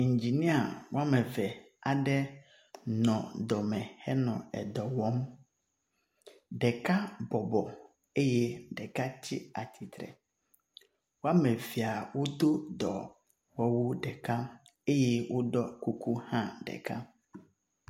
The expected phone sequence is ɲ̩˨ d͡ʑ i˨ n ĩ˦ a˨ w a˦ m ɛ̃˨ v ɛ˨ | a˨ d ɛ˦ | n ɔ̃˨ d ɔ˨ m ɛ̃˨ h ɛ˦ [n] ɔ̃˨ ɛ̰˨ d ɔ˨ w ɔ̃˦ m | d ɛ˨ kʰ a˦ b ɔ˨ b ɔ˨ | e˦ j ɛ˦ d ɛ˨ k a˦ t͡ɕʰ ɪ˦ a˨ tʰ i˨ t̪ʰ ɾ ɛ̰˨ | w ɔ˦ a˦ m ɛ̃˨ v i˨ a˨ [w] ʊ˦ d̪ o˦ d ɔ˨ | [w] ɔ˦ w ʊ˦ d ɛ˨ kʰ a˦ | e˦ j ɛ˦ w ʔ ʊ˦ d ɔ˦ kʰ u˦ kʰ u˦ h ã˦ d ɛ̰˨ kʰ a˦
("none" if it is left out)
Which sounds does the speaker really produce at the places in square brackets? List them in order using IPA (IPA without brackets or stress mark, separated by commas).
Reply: n, w, w